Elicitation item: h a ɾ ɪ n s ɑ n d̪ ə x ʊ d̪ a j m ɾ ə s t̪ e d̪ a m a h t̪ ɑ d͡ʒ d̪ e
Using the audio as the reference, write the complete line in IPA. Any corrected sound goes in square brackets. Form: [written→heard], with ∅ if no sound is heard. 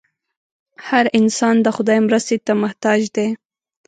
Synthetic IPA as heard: h a ɾ ɪ n s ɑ n d̪ ə x ʊ d̪ [a→ɑ] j m ɾ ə s t̪ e [d̪→t̪] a m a h t̪ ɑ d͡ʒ d̪ e